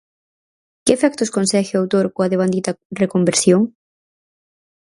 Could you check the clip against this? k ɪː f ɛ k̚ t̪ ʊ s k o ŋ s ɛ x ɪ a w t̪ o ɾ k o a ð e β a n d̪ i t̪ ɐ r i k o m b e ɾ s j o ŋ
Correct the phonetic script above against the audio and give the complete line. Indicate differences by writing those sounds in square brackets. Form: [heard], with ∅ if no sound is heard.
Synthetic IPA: k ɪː f ɛ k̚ t̪ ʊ s k o [n] s ɛ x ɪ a w t̪ o ɾ k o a ð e β a n d̪ i t̪ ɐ r [e] k o m b e ɾ s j o ŋ